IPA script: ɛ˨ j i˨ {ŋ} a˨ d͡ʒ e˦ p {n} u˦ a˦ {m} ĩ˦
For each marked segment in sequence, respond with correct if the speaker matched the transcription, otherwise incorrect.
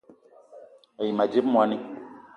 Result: incorrect, incorrect, incorrect

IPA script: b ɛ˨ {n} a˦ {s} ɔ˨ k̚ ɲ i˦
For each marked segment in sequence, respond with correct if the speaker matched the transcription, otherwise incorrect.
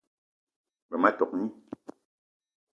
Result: incorrect, incorrect

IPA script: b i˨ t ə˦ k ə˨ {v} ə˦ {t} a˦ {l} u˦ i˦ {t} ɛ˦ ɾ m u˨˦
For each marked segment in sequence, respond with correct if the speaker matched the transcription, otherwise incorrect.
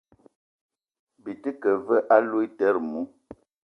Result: correct, incorrect, correct, correct

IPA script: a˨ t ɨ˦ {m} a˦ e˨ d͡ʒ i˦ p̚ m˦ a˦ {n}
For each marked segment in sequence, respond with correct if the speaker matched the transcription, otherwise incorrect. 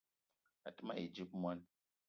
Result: correct, correct

